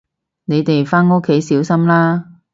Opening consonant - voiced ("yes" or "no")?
yes